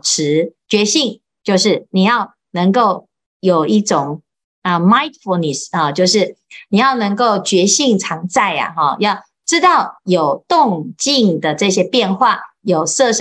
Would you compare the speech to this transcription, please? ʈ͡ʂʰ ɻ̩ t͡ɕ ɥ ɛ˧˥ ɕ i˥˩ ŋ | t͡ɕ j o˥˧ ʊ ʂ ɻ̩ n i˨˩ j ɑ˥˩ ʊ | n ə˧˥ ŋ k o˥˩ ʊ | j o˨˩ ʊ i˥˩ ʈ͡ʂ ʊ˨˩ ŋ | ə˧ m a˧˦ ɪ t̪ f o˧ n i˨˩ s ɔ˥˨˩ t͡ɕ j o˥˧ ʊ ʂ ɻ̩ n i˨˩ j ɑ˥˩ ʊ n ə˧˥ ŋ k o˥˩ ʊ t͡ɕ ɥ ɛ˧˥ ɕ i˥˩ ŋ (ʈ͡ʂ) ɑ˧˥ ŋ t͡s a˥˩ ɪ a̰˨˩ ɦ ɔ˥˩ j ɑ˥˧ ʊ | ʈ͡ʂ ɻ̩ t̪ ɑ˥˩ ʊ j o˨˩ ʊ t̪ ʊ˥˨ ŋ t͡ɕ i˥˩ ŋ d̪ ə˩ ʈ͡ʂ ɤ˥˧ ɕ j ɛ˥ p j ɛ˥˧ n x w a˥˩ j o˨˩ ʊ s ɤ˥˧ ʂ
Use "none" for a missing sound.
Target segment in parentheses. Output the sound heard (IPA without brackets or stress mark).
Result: ʈ͡ʂʰ